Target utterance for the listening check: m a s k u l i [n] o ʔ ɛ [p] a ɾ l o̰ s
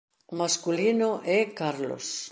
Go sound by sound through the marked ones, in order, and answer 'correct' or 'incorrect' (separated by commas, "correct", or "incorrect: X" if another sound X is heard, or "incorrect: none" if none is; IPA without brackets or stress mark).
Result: correct, incorrect: k